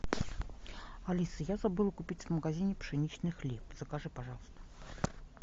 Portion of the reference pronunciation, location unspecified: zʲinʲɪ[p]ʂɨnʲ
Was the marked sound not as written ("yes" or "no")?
no